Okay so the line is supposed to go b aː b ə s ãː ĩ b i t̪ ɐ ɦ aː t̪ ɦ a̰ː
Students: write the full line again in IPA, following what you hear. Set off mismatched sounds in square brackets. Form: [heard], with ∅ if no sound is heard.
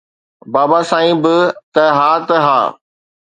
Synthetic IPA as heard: b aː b [a] s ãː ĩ b [ɪ] t̪ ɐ ɦ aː t̪ ɦ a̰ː